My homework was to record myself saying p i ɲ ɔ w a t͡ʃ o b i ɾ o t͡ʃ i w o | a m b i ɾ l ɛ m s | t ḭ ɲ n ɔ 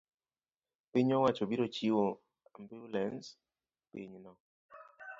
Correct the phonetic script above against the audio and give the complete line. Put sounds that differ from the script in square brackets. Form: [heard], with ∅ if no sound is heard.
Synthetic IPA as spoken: p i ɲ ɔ w a t͡ʃ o b i ɾ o t͡ʃ i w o | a m b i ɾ l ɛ [n] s | [p] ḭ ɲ n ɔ